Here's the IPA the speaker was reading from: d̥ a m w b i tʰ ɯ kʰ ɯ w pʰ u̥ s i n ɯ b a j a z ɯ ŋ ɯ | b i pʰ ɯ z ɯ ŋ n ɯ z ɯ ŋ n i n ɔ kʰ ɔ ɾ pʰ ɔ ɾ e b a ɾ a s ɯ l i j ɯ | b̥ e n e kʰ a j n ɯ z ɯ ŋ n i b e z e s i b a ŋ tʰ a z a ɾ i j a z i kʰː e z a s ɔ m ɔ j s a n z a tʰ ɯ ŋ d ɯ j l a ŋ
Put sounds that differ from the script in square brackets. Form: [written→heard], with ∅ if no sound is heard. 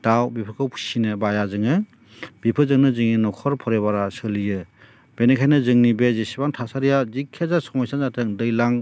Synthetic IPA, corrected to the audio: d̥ a [m→∅] w b i [tʰ→pʰ] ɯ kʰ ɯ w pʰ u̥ s i n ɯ b a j a z ɯ ŋ ɯ | b i pʰ ɯ z ɯ ŋ n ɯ z ɯ ŋ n i n ɔ kʰ ɔ ɾ pʰ ɔ ɾ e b a ɾ a s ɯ l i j ɯ | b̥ e n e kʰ a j n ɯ z ɯ ŋ n i b e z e s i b a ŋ tʰ a [z→s] a ɾ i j a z i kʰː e z a s ɔ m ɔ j s a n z a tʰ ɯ ŋ d ɯ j l a ŋ